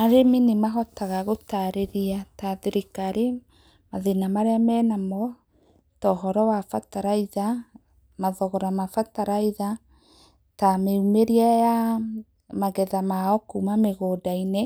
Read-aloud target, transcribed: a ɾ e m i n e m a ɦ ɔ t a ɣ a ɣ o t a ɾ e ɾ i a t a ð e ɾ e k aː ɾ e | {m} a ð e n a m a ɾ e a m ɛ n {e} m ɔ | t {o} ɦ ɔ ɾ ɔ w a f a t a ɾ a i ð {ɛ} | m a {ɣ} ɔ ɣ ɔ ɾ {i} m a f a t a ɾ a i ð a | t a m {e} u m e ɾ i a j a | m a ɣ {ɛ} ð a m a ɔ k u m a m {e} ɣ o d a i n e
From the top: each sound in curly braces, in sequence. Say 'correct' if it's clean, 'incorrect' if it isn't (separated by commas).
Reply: correct, incorrect, incorrect, incorrect, incorrect, incorrect, correct, correct, correct